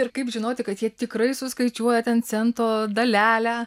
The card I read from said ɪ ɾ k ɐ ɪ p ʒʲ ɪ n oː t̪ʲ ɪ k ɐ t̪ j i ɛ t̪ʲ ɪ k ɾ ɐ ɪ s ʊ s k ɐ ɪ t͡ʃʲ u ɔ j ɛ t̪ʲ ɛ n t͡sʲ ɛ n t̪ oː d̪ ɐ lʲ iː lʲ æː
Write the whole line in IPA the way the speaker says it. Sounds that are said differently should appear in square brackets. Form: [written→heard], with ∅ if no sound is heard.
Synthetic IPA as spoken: ɪ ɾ k ɐ ɪ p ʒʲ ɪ n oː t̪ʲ ɪ k ɐ t̪ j i ɛ t̪ʲ ɪ k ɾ ɐ ɪ s ʊ s k ɐ ɪ t͡ʃʲ u ɔ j ɛ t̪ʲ ɛ n t͡sʲ ɛ n t̪ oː d̪ ɐ lʲ [iː→æː] lʲ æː